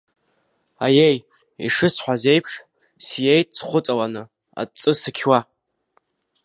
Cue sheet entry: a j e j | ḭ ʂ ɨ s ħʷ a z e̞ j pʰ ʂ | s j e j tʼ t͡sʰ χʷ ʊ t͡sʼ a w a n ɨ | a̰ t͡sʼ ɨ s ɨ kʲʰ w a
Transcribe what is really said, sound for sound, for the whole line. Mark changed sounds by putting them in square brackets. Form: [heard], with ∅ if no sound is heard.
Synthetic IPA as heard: a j e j | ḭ ʂ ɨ s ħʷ a z e̞ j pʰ ʂ | s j e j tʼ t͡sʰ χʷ ʊ t͡sʼ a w a n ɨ | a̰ t͡sʼ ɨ s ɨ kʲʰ w a

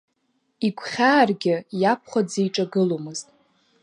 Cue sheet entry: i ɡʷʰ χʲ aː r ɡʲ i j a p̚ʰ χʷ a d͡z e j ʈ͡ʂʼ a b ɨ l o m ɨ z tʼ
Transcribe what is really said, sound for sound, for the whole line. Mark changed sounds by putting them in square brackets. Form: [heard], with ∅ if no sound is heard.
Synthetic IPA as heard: i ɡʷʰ χʲ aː r ɡʲ [ɪ] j a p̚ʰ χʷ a d͡z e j ʈ͡ʂʼ a [ɡ] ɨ l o m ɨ z tʼ

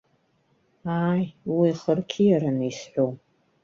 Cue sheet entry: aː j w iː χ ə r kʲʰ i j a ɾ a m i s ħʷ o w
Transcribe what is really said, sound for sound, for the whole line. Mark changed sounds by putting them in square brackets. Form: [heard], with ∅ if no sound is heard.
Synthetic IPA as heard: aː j w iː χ ə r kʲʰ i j a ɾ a [n] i s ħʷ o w

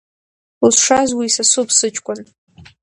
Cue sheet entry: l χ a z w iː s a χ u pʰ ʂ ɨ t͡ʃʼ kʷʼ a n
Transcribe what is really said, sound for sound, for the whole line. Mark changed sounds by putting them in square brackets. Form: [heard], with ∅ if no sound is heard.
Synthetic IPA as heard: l [ʂ] a z w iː s a [s] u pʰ [s] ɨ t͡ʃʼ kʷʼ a n

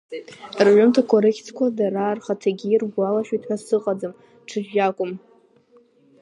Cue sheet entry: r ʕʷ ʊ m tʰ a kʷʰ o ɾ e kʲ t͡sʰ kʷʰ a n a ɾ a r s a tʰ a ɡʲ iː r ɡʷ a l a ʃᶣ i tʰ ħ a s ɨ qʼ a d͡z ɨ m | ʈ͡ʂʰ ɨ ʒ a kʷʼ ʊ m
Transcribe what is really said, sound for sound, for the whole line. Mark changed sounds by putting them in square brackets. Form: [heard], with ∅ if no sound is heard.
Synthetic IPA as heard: r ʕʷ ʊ m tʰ a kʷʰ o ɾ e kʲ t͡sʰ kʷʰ a [d] a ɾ a r [χ] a tʰ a ɡʲ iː r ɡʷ a l a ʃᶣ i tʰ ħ a s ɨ qʼ a d͡z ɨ m | ʈ͡ʂʰ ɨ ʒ a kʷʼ ʊ m

